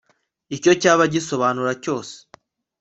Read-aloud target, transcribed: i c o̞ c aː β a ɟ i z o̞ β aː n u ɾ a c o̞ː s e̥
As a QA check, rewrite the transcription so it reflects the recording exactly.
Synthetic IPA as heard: i c o̞ c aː β a ɟ i s o̞ β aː n u ɾ a c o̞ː s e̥

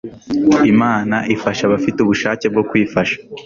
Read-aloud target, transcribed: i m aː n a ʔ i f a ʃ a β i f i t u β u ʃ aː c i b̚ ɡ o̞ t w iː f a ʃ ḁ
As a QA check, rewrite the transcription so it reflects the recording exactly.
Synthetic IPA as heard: i m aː n a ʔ i f a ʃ a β a f i t u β u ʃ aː c e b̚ ɡ o̞ k w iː f a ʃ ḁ

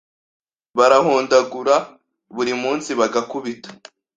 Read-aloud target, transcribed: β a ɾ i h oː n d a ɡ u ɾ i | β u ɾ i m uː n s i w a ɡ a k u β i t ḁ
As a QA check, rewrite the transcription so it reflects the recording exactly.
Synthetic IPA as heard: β a ɾ a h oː n d a ɡ u ɾ a | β u ɾ i m uː n s i β a ɡ a k u β i t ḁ

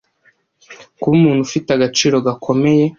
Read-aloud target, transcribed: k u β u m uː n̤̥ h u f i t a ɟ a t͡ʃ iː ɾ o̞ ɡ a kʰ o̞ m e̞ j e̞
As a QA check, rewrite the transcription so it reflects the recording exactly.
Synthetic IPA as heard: k u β u m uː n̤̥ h u f i t a ɡ a t͡ʃ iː ɾ o̞ ɡ a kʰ o̞ m e̞ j e̞

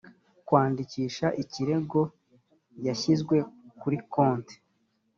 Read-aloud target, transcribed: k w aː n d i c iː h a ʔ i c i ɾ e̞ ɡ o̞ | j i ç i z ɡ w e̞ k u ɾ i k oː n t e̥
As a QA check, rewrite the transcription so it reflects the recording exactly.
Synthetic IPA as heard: k w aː n d i c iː ʃ a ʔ i c i ɾ e̞ ɡ o̞ | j a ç i z ɡ w e̞ k u ɾ i k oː n t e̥

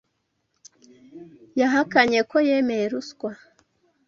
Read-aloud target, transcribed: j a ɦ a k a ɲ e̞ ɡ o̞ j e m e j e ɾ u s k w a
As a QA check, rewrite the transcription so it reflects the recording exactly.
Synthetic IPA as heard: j a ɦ a k a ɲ e̞ k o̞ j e m e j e ɾ u s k w a

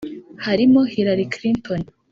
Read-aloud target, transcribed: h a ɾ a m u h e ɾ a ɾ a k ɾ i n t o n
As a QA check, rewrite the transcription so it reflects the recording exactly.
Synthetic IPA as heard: h a ɾ i m o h i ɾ a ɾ i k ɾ i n t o n

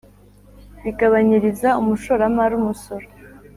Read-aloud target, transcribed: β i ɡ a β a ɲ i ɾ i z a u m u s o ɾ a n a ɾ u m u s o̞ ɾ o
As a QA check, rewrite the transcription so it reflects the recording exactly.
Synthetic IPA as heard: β i ɡ a β a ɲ i ɾ i z a u m u ʃ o ɾ a m a ɾ u m u s o̞ ɾ o

